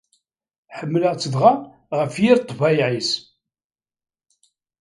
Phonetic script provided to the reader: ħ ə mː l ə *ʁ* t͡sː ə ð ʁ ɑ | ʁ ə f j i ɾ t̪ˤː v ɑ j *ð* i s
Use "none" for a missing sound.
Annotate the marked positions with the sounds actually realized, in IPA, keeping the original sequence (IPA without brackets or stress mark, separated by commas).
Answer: ʁ, ʕ